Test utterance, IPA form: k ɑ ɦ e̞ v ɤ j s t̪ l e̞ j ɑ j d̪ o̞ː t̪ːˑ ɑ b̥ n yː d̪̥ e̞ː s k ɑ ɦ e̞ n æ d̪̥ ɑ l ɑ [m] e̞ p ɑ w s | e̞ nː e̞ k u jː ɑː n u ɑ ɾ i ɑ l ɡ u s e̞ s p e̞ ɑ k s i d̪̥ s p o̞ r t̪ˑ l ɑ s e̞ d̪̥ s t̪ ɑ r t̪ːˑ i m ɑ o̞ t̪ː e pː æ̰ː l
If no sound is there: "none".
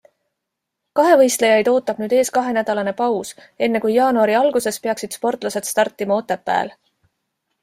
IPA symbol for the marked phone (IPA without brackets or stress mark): n